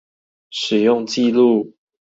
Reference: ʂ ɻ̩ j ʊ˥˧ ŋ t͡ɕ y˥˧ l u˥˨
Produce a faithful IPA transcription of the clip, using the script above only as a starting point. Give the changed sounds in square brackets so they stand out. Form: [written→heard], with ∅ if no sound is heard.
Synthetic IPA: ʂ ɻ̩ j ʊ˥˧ ŋ t͡ɕ [y˥˧→i˥˧] l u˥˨